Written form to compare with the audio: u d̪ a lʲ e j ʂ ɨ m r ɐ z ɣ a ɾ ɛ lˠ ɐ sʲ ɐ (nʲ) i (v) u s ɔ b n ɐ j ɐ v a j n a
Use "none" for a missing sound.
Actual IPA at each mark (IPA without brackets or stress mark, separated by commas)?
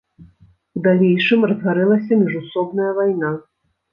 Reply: mʲ, ʐ